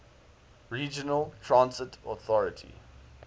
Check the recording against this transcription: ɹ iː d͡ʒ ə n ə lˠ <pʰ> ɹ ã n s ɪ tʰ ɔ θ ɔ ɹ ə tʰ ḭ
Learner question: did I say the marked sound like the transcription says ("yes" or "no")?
no